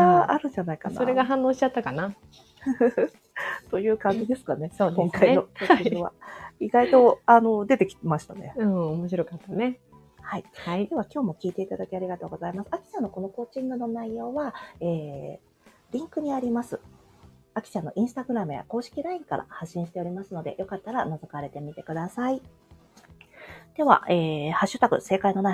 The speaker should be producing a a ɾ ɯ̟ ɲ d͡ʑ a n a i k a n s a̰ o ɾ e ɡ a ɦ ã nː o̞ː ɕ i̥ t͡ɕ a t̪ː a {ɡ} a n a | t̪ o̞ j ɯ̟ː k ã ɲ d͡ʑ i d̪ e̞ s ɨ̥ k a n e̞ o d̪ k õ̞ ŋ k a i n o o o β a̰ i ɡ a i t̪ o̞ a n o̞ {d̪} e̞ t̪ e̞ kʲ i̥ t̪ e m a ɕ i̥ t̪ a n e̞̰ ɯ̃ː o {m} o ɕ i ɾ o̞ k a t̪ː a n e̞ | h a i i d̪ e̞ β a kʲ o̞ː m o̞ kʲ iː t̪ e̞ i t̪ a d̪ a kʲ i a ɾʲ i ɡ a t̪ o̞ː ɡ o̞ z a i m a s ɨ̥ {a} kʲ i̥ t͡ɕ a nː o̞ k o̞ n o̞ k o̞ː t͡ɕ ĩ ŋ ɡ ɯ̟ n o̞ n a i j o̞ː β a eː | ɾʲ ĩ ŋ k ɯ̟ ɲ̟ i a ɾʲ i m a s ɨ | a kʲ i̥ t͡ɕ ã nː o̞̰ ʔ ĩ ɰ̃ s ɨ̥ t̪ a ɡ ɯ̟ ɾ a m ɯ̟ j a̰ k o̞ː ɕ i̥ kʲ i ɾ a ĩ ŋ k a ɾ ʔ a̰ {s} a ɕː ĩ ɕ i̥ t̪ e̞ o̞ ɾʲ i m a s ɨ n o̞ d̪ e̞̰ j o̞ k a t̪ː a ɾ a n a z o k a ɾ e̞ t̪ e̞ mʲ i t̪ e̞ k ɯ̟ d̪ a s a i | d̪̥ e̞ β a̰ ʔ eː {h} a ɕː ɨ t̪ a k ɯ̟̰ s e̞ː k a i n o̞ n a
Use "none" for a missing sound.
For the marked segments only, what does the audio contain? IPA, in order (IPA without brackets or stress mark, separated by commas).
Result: k, d̪, m, a, h, h